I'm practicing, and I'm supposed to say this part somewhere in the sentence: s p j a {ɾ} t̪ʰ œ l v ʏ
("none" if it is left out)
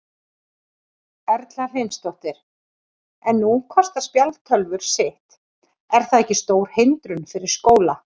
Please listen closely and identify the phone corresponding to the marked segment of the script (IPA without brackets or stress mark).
l